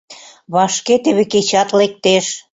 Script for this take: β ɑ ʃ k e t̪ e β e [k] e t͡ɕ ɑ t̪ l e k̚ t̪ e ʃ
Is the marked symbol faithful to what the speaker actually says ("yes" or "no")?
yes